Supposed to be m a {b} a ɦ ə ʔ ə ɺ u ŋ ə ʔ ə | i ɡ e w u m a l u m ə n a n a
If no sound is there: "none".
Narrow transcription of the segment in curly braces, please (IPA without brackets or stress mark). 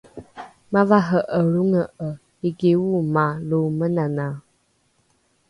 v